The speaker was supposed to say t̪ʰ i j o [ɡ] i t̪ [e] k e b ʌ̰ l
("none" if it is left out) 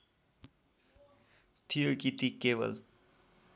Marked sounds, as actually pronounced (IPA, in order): k, i

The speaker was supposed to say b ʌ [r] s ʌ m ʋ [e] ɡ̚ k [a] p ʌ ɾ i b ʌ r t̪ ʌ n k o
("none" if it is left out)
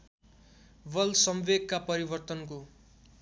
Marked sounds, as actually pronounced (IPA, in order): l, e, a

